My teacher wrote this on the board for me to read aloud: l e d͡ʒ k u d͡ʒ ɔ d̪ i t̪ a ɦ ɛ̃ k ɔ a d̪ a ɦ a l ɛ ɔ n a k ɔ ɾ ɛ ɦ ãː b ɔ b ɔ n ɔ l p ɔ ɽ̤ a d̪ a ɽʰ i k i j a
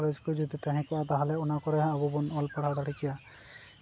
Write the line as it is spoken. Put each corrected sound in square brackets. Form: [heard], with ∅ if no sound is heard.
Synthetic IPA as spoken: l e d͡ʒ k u d͡ʒ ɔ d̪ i t̪ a ɦ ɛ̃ k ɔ a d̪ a ɦ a l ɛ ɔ n a k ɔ ɾ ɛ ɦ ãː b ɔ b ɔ n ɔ l p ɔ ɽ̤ a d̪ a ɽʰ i k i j a